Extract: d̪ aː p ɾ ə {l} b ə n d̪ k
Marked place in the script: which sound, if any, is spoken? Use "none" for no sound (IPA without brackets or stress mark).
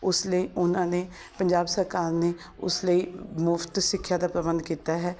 none